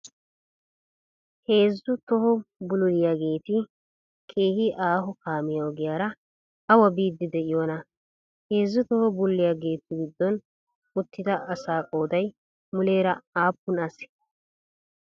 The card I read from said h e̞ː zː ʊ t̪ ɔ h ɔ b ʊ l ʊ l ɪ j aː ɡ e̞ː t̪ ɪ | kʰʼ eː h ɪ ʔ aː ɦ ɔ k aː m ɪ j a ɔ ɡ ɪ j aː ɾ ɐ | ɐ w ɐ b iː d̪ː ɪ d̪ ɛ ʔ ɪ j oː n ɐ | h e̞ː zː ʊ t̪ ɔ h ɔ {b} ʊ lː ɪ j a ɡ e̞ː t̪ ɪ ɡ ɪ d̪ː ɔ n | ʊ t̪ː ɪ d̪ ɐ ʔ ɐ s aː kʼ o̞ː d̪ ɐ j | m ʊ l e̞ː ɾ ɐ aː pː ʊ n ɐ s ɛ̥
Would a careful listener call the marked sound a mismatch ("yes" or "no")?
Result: no